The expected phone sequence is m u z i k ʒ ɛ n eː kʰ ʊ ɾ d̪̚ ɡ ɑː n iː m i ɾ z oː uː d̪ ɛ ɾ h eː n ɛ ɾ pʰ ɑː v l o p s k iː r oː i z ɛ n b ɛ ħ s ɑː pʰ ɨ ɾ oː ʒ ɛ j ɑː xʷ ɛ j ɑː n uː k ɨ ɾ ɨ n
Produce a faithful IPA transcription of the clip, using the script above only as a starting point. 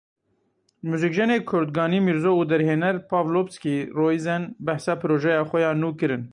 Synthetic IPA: m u z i k ʒ ɛ n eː kʰ ʊ ɾ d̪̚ ɡ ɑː n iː m i ɾ z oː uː d̪ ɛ ɾ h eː n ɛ ɾ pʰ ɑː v l o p s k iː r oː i z ɛ n b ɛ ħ s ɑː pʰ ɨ ɾ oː ʒ ɛ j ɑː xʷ ɛ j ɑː n uː k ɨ ɾ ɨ n

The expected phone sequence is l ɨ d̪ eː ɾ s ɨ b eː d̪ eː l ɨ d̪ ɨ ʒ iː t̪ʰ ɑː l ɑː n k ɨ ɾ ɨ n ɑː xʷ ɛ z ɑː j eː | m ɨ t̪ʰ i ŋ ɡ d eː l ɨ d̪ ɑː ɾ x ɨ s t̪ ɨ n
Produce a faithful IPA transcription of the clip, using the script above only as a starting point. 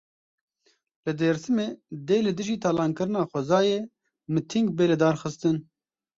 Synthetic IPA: l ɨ d̪ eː ɾ s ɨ m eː d̪ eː l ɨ d̪ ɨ ʒ iː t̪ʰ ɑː l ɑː n k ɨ ɾ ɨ n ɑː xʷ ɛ z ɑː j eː | m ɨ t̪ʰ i ŋ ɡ b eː l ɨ d̪ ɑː ɾ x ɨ s t̪ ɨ n

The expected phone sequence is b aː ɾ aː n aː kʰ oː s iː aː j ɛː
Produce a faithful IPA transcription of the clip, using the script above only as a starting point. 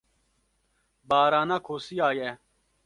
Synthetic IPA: b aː ɾ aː n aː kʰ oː s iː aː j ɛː

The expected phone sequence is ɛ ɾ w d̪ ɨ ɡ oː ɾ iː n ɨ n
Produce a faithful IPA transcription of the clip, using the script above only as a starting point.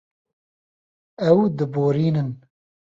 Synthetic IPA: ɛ w d̪ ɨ b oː ɾ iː n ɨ n

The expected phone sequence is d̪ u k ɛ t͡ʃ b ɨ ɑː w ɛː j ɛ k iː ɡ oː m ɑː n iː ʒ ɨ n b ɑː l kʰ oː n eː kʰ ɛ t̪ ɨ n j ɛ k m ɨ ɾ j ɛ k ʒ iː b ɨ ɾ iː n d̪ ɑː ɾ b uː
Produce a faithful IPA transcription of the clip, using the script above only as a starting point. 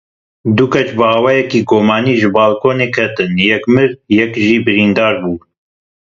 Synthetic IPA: d̪ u k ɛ t͡ʃ b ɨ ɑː w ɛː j ɛ k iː ɡ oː m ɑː n iː ʒ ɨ b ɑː l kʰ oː n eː kʰ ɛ t̪ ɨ n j ɛ k m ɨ ɾ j ɛ k ʒ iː b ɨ ɾ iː n d̪ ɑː ɾ b uː

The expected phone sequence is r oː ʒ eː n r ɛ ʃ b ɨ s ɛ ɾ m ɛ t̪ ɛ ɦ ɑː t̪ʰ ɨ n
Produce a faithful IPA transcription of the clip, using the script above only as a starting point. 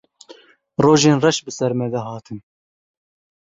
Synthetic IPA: r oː ʒ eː n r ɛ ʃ b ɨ s ɛ ɾ m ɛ d̪ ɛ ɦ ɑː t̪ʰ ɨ n

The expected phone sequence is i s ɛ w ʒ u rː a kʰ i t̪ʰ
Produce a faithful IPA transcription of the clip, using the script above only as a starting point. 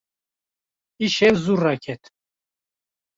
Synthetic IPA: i ʃ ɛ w z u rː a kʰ ɛ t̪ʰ

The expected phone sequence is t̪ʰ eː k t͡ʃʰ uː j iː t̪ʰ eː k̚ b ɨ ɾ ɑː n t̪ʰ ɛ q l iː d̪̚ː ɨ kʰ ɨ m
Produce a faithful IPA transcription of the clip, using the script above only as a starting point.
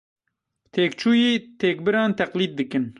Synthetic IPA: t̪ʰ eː k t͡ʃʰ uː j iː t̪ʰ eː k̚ b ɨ ɾ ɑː n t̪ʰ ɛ q l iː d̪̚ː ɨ k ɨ n

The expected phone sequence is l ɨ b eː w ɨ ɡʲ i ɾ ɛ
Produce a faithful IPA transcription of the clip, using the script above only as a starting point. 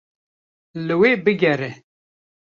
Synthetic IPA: l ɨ w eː b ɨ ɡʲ ɛ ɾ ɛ

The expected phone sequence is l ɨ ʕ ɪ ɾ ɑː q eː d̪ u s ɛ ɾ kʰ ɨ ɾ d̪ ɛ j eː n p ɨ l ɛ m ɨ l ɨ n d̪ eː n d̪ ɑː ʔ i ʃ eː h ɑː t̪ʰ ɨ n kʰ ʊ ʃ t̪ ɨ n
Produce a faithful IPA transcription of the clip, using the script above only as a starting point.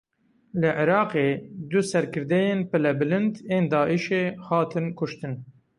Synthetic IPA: l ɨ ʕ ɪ ɾ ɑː q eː d̪ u s ɛ ɾ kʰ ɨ ɾ d̪ ɛ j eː n p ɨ l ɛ b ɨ l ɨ n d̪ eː n d̪ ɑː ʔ i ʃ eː h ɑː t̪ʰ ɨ n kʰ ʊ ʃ t̪ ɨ n

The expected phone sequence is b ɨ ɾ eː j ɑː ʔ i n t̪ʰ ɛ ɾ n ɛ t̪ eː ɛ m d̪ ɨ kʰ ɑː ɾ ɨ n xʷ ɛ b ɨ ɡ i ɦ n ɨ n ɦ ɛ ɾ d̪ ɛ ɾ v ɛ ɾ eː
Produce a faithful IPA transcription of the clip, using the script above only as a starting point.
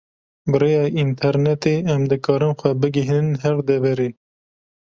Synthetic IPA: b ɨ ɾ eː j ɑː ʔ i n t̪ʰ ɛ ɾ n ɛ t̪ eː ɛ m d̪ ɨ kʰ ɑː ɾ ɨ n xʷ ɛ b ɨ ɡ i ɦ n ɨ n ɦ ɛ ɾ d̪ ɛ v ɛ ɾ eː

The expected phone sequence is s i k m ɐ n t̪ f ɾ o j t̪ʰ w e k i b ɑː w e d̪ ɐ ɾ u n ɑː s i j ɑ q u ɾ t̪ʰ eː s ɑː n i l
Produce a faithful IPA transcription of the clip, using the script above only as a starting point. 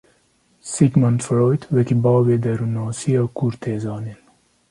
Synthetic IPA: s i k m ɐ n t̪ f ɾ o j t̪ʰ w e k i b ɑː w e d̪ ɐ ɾ u n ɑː s i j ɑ k u ɾ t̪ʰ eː z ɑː n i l

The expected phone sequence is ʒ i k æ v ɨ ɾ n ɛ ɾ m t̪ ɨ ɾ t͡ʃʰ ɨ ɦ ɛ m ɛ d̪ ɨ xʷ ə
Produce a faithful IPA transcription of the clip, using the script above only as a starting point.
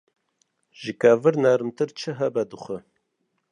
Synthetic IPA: ʒ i k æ v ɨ ɾ n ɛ ɾ m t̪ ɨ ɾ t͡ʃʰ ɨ ɦ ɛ b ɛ d̪ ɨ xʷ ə

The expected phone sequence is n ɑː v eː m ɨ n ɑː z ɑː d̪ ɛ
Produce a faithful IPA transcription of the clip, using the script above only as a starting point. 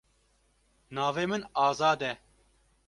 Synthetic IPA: n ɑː v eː m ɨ n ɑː z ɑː d̪ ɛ

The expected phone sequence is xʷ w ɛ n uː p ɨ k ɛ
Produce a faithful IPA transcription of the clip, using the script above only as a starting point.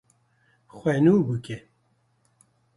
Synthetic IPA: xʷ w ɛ n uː b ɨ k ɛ

